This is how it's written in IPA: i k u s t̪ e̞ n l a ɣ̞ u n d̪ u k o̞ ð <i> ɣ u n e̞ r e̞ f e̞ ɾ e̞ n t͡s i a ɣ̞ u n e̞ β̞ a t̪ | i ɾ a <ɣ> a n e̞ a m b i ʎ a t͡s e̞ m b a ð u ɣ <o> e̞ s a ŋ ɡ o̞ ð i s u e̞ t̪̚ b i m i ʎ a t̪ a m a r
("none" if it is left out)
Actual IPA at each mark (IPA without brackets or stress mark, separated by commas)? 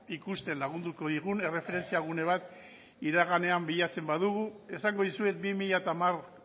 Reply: i, ɣ, u